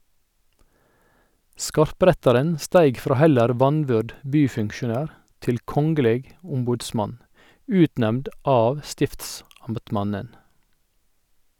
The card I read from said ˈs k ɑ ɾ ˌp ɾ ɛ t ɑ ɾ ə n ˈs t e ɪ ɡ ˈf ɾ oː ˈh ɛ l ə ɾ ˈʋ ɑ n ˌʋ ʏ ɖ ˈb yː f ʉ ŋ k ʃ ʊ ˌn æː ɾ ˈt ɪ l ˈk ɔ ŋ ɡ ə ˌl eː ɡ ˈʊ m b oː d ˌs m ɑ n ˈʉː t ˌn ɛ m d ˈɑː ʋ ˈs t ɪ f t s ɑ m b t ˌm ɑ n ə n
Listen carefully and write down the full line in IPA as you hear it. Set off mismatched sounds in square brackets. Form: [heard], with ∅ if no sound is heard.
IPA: ˈs k ɑ ɾ ˌp ɾ ɛ t ɑ ɾ ə n ˈs t [æ] ɪ ɡ ˈf ɾ oː ˈh ɛ l ə ɾ ˈʋ ɑ n ˌʋ ʏ ɖ ˈb yː f ʉ ŋ k ʃ ʊ ˌn æː ɾ ˈt ɪ l ˈk ɔ ŋ ɡ ə ˌl eː ɡ ˈʊ m b [uː] d ˌs m ɑ n ˈʉː t ˌn ɛ m d ˈɑː ʋ ˈs t ɪ f t s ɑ m b t ˌm ɑ n ə n